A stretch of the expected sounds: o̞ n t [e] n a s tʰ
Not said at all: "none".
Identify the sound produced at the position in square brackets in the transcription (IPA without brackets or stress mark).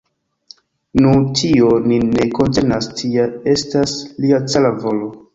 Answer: e